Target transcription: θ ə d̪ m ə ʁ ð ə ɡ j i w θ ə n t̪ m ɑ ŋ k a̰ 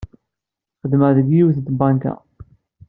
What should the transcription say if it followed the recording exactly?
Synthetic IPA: χ ə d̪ m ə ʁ ð ə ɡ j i w θ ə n t̪ b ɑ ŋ k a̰